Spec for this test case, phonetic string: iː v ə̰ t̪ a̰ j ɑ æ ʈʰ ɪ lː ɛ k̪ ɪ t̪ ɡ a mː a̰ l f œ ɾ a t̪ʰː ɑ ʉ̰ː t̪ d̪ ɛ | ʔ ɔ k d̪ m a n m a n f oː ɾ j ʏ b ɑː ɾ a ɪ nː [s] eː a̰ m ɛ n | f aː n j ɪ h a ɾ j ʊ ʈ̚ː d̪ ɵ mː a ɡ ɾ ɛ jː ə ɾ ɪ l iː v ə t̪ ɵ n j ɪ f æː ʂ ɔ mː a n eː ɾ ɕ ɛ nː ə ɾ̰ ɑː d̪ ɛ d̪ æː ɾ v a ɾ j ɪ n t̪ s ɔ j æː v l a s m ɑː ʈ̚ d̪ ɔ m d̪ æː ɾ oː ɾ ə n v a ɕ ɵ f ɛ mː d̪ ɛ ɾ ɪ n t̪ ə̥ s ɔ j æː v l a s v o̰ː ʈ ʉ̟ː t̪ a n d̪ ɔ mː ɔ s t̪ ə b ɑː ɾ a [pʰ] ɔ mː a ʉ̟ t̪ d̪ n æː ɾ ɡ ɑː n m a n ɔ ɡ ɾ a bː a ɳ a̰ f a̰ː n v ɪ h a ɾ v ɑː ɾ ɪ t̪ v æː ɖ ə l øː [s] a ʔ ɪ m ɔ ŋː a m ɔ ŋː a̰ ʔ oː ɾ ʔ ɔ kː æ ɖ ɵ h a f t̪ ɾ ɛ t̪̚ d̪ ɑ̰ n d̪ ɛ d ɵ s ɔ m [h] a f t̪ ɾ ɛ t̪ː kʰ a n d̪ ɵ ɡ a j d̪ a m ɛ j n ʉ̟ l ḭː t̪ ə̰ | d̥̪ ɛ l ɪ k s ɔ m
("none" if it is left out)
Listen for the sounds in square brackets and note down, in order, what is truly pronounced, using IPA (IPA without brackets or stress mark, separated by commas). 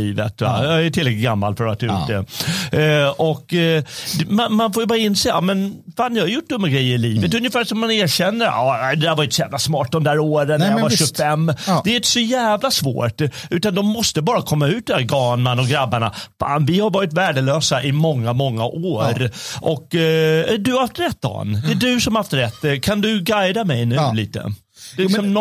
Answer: s, kʰ, s, h